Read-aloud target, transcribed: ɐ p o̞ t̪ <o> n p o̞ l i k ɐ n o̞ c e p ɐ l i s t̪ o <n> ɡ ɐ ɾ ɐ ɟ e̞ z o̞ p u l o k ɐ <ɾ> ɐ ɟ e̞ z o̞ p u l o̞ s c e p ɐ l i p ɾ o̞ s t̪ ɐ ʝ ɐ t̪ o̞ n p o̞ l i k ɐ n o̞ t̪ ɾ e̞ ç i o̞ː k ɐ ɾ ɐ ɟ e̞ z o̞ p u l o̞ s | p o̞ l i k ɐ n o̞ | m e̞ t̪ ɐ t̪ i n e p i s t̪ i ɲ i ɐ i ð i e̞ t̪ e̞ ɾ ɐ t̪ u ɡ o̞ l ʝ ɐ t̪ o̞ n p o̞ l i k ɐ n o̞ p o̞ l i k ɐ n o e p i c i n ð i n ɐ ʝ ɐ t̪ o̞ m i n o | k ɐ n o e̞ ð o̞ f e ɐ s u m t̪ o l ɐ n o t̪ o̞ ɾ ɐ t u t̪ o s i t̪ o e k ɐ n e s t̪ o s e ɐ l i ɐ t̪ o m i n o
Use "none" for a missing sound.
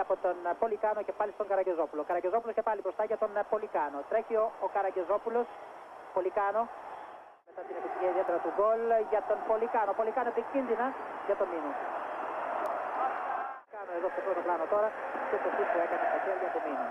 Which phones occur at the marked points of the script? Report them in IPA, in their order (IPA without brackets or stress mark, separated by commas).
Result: o, ŋ, ɾ